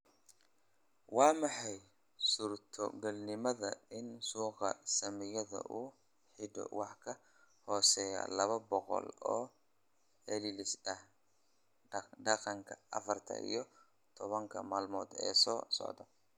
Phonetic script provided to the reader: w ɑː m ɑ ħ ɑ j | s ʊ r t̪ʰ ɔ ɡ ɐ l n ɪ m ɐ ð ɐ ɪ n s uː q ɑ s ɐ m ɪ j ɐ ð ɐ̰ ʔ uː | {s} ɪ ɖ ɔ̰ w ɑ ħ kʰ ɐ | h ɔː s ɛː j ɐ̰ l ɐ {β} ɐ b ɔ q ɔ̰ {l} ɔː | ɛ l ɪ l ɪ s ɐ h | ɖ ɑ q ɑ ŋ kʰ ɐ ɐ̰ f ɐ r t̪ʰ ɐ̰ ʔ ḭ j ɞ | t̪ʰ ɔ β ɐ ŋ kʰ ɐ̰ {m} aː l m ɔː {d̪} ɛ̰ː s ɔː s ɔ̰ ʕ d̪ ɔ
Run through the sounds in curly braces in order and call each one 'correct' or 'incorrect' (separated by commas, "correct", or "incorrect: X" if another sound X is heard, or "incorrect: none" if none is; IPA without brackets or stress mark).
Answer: incorrect: ħ, correct, correct, correct, correct